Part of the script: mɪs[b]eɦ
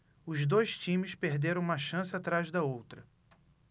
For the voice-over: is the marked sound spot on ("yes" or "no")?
no